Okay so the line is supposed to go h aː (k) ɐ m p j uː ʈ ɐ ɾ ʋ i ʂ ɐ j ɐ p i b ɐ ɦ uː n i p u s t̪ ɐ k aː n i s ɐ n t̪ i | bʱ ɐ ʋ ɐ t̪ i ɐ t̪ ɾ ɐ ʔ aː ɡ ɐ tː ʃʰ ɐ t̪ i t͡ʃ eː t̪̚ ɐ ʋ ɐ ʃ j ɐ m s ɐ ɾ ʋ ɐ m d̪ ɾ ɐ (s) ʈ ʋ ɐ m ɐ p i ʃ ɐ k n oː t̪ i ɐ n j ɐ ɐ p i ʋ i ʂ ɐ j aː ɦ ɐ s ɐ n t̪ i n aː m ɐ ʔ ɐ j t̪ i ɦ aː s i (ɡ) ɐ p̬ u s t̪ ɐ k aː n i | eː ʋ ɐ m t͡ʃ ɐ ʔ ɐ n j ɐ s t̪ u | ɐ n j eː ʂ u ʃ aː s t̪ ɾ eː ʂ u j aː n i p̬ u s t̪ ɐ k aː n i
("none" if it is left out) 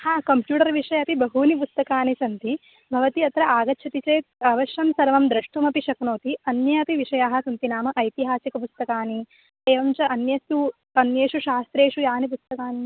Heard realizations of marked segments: k, ʂ, k

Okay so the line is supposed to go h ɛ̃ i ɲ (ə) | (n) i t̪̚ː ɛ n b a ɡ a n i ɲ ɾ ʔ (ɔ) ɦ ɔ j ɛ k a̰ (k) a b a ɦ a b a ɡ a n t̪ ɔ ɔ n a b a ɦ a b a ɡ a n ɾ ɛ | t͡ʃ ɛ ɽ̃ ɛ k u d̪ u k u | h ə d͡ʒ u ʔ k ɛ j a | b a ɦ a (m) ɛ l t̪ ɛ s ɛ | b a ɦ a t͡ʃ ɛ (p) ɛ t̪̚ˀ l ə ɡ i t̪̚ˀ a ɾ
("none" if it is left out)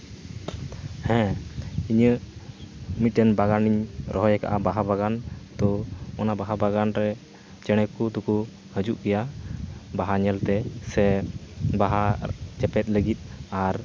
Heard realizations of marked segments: ə, m, ɔ, ʔ, ɲ, p

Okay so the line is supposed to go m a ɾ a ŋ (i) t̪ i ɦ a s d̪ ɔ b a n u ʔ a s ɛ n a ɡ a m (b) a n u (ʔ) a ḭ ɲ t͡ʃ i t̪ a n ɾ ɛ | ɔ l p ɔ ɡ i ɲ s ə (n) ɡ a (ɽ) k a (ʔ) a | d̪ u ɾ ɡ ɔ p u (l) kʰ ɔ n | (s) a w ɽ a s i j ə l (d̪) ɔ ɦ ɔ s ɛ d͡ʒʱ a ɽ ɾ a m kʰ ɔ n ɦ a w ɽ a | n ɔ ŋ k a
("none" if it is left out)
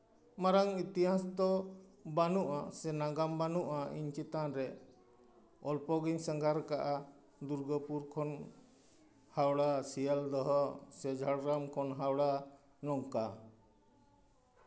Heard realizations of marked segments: i, b, ʔ, ŋ, ɾ, ʔ, ɾ, h, d̪

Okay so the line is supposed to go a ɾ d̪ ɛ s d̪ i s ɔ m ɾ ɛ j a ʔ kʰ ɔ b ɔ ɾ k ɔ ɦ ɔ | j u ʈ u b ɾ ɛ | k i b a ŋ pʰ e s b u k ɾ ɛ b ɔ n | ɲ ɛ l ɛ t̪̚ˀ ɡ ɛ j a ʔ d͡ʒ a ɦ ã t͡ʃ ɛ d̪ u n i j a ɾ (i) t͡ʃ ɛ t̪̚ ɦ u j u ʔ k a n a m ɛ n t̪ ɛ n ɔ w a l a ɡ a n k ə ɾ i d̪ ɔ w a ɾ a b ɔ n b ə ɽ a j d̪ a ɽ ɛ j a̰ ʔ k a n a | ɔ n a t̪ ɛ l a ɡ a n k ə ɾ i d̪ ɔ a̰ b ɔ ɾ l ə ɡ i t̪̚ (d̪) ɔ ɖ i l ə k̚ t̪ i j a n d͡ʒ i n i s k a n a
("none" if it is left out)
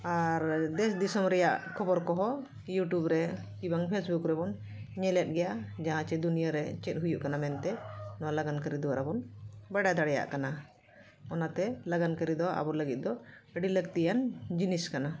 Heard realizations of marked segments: ɛ, d̪

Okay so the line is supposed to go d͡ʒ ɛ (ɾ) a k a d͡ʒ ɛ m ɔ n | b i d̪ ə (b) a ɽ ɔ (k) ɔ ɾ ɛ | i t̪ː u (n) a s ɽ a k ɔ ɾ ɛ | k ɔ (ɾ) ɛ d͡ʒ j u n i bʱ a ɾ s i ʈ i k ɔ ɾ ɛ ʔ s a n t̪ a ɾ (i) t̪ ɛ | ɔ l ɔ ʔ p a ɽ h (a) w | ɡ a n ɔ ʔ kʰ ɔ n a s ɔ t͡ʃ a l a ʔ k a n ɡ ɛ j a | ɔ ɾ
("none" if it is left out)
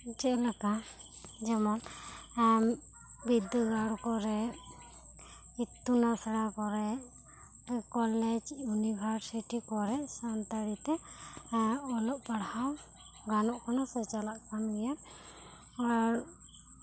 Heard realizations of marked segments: l, ɡ, k, n, l, i, a

